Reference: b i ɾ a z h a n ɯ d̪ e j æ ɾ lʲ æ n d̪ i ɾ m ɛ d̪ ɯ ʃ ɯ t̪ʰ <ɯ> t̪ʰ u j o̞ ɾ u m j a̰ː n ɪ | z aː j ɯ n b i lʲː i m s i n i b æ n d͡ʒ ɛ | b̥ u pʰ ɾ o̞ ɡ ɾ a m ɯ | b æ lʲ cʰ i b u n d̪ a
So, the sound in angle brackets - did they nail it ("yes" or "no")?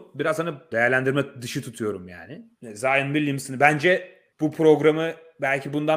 no